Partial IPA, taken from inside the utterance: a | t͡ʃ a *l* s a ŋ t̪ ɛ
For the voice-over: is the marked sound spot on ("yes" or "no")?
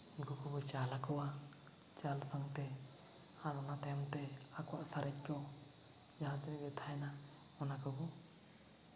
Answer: yes